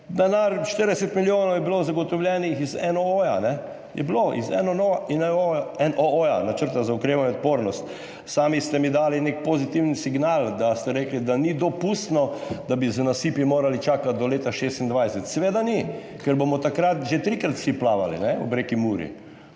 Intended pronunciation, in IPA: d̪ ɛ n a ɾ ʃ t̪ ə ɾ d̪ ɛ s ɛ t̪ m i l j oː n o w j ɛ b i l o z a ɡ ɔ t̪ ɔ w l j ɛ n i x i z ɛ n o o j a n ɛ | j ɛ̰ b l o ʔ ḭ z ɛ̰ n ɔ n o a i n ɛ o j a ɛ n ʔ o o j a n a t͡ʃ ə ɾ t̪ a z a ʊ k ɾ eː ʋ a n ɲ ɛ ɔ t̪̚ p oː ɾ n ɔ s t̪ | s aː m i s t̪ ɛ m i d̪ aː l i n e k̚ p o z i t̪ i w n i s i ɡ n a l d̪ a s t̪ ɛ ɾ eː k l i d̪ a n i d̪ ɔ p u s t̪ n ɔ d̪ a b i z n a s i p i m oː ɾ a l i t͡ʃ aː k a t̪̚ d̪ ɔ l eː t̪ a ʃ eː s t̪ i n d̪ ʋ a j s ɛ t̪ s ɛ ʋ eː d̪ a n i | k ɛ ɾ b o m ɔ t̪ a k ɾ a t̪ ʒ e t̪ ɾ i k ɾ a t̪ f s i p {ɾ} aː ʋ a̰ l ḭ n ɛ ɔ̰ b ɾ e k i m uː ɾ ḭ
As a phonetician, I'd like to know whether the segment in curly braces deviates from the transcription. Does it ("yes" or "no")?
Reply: yes